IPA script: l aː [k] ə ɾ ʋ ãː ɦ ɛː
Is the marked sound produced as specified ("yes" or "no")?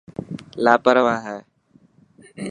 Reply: no